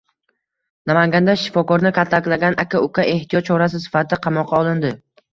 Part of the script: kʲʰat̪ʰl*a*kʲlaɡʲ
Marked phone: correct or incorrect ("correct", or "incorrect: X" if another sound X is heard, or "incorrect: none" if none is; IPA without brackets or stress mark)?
correct